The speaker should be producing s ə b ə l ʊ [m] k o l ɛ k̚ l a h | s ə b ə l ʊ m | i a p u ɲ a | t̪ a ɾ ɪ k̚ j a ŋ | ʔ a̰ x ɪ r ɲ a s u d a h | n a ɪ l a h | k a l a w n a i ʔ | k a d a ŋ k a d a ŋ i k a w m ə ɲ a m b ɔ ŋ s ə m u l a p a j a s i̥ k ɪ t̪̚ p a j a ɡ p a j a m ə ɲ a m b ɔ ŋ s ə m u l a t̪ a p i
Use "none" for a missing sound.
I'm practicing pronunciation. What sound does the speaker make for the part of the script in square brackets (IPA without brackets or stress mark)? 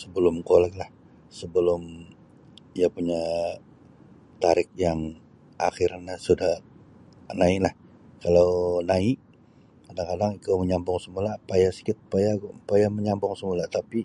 m